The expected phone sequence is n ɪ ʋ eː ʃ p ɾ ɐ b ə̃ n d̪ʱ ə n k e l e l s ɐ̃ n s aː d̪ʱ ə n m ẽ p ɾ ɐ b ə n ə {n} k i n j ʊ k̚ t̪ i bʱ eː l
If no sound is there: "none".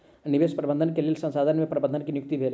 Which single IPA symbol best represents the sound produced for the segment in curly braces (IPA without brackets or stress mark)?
n